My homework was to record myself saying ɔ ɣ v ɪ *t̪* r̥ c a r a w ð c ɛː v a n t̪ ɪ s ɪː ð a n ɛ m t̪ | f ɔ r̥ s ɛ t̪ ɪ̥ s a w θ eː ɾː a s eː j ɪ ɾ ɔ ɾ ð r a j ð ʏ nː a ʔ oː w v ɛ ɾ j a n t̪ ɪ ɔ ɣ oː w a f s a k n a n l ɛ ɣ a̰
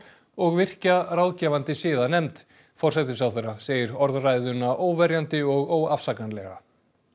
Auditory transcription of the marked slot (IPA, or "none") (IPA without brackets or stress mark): none